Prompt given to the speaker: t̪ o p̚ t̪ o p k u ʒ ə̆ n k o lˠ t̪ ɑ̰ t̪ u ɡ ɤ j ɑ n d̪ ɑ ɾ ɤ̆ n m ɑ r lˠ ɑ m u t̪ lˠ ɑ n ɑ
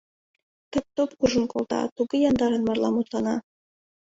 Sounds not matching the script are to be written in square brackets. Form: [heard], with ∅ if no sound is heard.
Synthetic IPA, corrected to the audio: t̪ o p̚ t̪ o p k u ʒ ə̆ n k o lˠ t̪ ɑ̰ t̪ u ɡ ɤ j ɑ n d̪ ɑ ɾ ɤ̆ n m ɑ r lˠ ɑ m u t̪ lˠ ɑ n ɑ